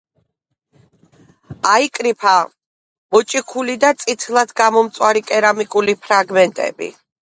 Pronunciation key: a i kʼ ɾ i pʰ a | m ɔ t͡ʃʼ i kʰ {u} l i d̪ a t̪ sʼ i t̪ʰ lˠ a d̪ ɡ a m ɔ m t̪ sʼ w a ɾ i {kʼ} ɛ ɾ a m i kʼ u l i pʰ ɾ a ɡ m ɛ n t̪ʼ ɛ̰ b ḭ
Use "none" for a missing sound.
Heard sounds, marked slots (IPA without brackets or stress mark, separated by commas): u, kʼ